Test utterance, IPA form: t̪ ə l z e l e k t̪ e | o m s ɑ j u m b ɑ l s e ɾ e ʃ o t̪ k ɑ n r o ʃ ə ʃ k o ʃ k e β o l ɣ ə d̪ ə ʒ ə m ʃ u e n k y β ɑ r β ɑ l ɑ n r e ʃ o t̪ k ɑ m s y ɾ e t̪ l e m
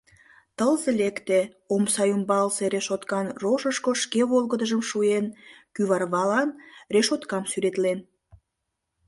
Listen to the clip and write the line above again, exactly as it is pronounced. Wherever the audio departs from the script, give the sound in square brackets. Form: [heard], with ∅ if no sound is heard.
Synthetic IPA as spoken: t̪ ə l z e l e k t̪ e | o m s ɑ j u m b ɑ l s e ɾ e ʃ o t̪ k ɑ n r o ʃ ə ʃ k o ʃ k e β o l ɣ ə d̪ ə ʒ ə m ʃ u e n k y β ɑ r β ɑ l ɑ n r e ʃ o t̪ k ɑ m s y ɾ e t̪ l e [n]

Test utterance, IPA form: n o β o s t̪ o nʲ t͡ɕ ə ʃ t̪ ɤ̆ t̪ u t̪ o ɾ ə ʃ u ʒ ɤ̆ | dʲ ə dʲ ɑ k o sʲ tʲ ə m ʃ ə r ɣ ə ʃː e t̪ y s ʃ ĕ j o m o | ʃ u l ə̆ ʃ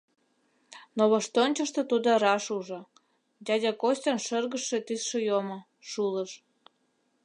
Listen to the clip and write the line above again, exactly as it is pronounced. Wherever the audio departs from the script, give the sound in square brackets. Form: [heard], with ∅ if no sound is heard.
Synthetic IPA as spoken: n o β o [ʃ] t̪ o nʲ t͡ɕ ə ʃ t̪ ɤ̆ t̪ u [d̪] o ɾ [ɑ] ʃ u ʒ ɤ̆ | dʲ [ɑ] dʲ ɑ k o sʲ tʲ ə [n] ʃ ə r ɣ ə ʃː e t̪ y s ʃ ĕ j o m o | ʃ u l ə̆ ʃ

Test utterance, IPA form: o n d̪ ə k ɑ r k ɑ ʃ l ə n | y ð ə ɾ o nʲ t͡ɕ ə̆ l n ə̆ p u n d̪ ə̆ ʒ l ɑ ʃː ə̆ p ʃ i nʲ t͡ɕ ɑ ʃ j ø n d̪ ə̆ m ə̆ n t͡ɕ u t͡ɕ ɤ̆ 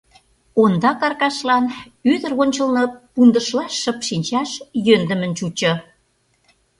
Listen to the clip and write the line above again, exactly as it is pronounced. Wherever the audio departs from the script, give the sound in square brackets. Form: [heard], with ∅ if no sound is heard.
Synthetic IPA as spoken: o n d̪ [ɑ] k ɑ r k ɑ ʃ l [ɑ] n | y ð ə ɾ o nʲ t͡ɕ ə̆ l n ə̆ p u n d̪ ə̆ [ʃ] l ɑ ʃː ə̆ p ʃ i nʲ t͡ɕ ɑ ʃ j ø n d̪ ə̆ m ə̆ n t͡ɕ u t͡ɕ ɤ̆

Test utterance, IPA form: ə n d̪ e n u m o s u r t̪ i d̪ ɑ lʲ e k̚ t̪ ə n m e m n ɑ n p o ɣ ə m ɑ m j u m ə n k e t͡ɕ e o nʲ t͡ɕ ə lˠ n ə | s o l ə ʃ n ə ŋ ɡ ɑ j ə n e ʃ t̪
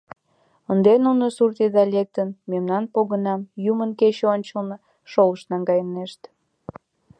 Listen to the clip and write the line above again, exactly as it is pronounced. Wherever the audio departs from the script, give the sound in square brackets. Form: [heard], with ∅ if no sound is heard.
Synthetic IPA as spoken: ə n d̪ e n u [n] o s u r t̪ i d̪ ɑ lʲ e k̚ t̪ ə n m e m n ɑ n p o ɣ ə [n] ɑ m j u m ə n k e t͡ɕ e o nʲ t͡ɕ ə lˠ n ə | [ʃ] o l ə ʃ n [ɑ] ŋ ɡ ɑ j ə n e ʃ t̪

